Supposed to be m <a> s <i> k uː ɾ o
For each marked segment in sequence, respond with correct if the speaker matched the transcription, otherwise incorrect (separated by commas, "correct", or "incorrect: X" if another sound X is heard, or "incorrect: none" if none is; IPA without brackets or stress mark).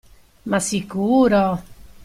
correct, correct